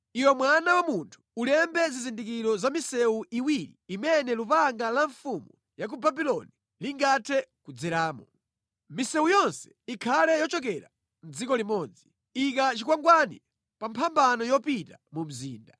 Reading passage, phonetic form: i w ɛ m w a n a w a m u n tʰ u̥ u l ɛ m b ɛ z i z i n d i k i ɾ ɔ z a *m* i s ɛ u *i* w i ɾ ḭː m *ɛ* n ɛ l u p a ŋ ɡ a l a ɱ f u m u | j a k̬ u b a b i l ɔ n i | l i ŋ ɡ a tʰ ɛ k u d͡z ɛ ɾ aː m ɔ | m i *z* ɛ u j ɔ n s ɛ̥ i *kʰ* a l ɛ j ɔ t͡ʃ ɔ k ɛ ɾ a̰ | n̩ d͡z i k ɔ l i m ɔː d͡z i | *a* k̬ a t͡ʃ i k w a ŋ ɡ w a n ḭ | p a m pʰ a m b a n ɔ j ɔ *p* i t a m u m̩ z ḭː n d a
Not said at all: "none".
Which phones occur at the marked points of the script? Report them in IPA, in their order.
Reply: m, i, ɛ, s, kʰ, i, p

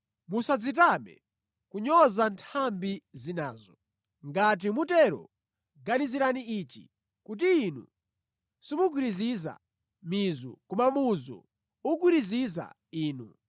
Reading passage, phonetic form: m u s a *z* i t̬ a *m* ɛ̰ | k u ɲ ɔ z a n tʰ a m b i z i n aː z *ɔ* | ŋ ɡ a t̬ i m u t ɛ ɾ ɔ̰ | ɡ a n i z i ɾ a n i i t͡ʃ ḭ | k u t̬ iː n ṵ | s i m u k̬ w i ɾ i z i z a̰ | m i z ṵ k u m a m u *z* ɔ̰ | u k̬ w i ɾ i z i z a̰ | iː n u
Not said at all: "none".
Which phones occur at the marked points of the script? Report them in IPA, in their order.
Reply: d͡z, m, ɔ, z

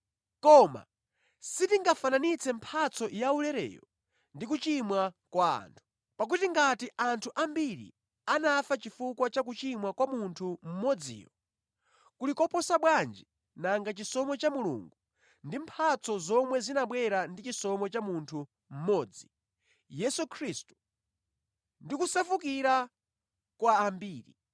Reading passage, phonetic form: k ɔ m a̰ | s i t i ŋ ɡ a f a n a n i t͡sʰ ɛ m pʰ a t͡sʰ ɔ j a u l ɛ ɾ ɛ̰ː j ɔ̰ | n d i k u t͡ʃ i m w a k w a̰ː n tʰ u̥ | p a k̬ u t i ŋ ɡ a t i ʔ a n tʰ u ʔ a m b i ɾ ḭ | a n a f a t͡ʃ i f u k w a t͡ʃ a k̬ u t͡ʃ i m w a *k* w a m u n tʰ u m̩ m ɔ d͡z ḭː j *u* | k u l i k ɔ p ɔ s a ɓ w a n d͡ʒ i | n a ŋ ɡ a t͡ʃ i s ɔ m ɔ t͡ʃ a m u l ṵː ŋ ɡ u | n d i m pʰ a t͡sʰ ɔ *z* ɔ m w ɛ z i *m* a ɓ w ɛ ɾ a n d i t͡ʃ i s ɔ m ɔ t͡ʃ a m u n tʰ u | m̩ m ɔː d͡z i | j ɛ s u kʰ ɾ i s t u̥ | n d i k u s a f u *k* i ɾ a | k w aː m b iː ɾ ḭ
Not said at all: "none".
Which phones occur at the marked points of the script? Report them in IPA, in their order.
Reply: k, ɔ, z, n, k

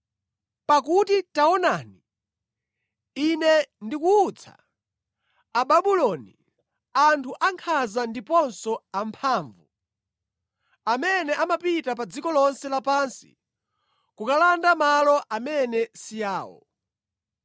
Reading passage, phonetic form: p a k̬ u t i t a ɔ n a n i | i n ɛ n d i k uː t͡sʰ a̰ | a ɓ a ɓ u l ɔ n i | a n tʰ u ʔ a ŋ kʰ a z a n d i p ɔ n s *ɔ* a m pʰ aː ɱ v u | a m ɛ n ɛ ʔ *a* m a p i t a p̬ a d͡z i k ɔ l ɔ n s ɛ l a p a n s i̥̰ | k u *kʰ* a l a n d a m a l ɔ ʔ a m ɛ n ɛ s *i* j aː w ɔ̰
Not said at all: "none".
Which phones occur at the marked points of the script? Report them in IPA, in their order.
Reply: ɔ, a, k, i

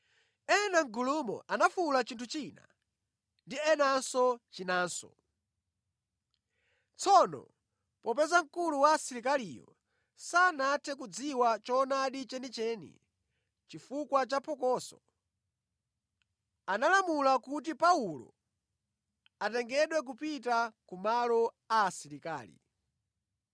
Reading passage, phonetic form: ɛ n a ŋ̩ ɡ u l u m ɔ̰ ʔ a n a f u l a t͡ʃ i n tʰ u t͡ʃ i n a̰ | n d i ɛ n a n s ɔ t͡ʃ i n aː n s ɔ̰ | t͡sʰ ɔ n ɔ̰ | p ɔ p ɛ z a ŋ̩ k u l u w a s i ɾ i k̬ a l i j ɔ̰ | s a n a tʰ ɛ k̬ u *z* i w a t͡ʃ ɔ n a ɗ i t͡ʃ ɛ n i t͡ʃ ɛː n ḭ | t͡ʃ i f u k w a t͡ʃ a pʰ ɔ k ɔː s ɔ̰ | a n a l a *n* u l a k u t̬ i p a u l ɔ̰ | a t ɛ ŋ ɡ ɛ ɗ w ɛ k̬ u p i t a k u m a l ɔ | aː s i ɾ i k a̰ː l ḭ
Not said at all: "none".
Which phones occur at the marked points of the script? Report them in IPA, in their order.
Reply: d͡z, m

